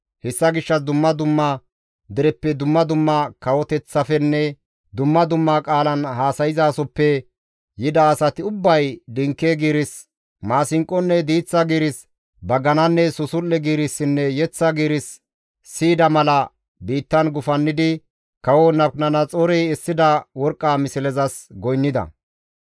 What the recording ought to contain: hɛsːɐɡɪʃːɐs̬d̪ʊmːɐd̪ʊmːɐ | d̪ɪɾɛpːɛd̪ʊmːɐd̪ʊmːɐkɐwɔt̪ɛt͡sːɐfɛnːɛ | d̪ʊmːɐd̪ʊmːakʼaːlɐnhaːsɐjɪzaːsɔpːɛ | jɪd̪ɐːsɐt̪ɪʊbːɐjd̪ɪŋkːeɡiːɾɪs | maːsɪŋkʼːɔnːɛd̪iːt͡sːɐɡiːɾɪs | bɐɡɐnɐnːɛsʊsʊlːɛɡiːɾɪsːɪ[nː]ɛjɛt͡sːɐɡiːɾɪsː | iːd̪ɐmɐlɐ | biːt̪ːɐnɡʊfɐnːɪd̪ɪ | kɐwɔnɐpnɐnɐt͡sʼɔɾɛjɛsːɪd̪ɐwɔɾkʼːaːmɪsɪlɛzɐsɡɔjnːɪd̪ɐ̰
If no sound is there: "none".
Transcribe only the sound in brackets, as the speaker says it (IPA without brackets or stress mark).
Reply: nː